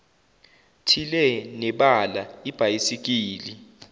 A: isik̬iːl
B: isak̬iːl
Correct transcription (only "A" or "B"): A